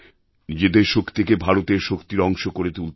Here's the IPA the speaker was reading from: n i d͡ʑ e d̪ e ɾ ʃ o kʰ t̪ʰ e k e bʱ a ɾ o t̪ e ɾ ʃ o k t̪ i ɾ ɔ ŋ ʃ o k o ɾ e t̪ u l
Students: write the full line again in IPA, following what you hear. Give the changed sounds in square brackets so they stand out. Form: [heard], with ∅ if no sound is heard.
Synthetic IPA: n i d͡ʑ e d̪ e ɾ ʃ o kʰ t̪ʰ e k e bʱ a ɾ o t̪ e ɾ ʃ o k t̪ i ɾ ɔ ŋ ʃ o k o ɾ e t̪ u l

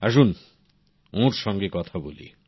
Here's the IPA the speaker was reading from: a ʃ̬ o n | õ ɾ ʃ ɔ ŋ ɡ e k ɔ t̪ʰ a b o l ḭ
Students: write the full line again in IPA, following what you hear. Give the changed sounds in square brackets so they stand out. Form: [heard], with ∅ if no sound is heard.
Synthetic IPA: a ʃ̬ [u] n | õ ɾ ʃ ɔ ŋ ɡ e k ɔ t̪ʰ a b o l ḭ

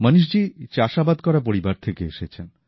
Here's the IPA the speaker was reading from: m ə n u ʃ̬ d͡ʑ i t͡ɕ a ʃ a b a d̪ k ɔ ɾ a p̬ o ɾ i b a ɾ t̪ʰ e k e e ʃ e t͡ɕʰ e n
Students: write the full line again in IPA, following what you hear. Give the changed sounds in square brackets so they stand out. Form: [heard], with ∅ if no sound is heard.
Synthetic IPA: m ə n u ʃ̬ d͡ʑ i t͡ɕ a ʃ a b a d̪ k ɔ ɾ a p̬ o ɾ i b a ɾ t̪ʰ e k e e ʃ e t͡ɕʰ e n

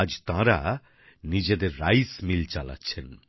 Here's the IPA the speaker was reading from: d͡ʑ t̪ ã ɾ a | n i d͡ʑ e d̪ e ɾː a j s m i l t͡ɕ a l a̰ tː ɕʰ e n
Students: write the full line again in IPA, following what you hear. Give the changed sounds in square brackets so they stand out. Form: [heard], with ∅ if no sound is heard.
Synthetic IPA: d͡ʑ t̪ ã ɾ a | n i d͡ʑ e d̪ e ɾː a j s m i l t͡ɕ a l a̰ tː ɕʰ e n

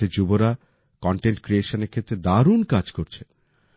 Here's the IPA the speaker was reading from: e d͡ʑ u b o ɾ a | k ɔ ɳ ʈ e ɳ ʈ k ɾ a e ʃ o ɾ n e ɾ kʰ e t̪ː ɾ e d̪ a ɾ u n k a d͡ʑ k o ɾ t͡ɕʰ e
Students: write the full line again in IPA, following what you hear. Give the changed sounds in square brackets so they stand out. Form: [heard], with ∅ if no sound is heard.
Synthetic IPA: e d͡ʑ u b o ɾ a | k ɔ ɳ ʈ e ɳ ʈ k ɾ [i] e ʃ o [∅] n e ɾ kʰ e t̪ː ɾ e d̪ a ɾ u n k a d͡ʑ k o ɾ t͡ɕʰ e

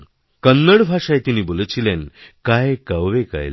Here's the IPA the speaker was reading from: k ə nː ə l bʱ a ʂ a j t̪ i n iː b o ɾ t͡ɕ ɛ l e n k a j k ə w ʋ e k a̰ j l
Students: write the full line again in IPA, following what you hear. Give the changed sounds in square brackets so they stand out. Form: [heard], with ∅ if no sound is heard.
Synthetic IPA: k ə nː ə [ɽ] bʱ a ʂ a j t̪ i n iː b o [l] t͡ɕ [i] l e n k a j k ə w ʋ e k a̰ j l

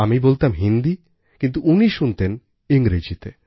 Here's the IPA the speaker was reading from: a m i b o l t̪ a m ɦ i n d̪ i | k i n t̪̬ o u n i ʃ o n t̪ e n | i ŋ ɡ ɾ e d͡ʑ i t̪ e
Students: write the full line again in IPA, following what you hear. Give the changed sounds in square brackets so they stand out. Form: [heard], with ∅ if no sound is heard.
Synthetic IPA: a m i b o l t̪ a m ɦ i n d̪ i | k i n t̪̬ [u] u n i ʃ [u] n t̪ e n | i ŋ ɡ ɾ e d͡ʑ i t̪ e

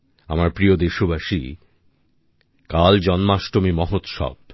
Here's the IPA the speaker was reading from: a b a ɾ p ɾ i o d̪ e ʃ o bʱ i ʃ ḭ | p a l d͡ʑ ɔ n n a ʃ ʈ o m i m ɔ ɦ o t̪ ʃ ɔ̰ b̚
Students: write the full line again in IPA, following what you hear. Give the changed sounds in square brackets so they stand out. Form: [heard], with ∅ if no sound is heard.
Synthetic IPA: a [m] a ɾ p ɾ i o d̪ e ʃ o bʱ [a] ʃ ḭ | [k] a l d͡ʑ ɔ n [m] a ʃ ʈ o m i m ɔ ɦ o t̪ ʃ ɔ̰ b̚

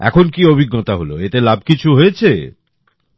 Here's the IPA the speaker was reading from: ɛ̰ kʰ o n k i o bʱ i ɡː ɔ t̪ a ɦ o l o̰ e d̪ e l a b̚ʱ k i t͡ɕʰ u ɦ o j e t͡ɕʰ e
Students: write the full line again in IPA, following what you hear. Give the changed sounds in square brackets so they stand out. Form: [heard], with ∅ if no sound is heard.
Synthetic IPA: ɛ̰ kʰ o n k i o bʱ i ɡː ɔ t̪ a ɦ o l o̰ e [t̪] e l a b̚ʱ k i t͡ɕʰ u ɦ o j e t͡ɕʰ e

